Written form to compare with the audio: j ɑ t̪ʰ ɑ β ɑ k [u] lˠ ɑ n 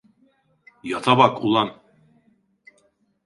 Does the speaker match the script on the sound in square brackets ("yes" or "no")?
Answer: yes